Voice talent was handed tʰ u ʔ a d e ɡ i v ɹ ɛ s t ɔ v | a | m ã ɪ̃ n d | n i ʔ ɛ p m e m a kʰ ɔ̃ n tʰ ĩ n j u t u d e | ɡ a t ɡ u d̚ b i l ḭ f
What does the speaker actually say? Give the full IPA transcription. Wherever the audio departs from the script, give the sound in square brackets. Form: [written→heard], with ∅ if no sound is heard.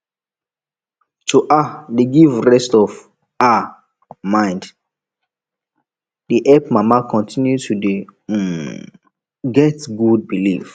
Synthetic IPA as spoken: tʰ u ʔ a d e ɡ i v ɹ ɛ s t ɔ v | a | m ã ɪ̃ n d | [n→d] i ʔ ɛ p m [e→a] m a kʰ ɔ̃ n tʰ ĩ n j u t u d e | ɡ [a→ɛ] t ɡ u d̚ b i l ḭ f